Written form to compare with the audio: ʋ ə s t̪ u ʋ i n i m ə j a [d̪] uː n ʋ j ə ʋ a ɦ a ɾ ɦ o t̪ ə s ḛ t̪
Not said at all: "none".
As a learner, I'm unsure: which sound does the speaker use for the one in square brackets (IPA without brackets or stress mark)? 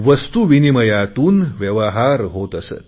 t̪